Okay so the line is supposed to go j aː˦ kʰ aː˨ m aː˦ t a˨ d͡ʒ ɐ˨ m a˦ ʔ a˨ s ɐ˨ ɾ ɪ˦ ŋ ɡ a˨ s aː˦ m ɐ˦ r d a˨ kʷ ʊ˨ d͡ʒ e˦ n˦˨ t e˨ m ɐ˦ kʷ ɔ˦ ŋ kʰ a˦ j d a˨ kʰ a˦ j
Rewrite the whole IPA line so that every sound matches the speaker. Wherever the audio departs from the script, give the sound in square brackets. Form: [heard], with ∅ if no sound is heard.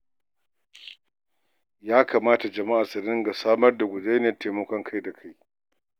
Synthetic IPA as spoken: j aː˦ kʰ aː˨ m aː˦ t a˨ d͡ʒ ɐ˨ m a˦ ʔ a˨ s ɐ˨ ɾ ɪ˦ ŋ ɡ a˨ s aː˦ m ɐ˦ r d a˨ [ɡʷ] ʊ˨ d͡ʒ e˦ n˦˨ t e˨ m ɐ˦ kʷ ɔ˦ ŋ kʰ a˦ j d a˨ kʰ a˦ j